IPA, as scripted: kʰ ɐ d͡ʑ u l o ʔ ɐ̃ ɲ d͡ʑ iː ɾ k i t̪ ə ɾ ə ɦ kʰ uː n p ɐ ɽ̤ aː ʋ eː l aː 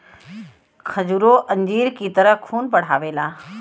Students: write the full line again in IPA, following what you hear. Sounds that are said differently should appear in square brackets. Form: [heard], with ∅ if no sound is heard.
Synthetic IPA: kʰ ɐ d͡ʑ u [ɾ] o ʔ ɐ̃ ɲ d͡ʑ iː ɾ k i t̪ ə ɾ ə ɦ kʰ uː n p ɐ ɽ̤ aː ʋ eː l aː